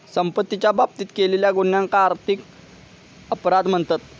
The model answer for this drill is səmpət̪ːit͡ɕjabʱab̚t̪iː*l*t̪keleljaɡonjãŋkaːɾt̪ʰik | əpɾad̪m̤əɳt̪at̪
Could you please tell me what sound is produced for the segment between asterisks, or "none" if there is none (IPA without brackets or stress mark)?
none